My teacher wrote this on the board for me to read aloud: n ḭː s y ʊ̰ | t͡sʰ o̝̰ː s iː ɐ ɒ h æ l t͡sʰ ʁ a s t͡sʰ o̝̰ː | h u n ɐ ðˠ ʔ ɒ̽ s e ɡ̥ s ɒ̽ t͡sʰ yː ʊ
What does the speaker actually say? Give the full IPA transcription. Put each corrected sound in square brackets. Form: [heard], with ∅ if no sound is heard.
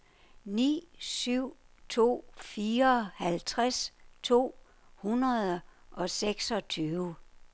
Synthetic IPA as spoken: n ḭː s y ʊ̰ | t͡sʰ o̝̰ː [f] iː ɐ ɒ h æ l t͡sʰ ʁ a s t͡sʰ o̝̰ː | h u n ɐ ðˠ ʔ ɒ̽ s e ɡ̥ s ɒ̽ t͡sʰ yː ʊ